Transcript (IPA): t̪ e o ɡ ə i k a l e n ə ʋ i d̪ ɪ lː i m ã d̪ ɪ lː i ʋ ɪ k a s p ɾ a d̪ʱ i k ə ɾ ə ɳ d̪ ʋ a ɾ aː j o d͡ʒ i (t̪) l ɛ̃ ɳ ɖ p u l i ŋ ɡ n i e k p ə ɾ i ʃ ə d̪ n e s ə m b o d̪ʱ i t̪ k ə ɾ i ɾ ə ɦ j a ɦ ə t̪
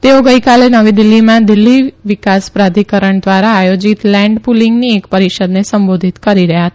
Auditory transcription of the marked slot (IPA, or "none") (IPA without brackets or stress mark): t̪